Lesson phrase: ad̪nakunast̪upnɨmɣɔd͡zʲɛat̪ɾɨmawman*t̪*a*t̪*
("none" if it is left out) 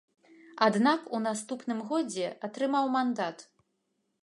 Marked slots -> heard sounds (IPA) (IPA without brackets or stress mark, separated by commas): d̪, t̪